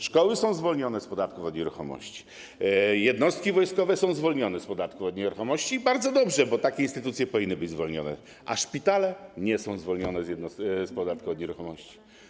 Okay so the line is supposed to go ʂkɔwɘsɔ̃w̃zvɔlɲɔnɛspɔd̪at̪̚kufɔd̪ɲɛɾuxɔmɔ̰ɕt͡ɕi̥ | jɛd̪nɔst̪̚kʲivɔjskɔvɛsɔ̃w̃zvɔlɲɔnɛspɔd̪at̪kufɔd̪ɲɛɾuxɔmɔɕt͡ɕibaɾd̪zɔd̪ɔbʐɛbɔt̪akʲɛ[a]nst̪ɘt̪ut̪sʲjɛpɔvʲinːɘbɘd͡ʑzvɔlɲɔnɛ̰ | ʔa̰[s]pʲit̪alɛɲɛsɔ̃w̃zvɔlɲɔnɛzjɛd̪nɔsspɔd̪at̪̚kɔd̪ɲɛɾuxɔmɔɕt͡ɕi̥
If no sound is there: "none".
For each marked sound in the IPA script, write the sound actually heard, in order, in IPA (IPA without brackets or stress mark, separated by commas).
i, ʂ